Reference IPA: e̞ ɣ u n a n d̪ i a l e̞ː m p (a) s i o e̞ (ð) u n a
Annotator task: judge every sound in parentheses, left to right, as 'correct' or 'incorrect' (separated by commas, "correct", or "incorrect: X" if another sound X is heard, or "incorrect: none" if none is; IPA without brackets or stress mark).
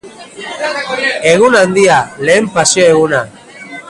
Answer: correct, incorrect: ɣ